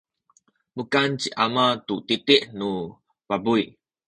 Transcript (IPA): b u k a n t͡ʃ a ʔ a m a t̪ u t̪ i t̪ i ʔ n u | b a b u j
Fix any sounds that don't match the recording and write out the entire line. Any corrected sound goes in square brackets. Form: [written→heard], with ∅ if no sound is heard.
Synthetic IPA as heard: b u k a n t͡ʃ [a→i] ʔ a m a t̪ u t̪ i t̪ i ʔ n u | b a b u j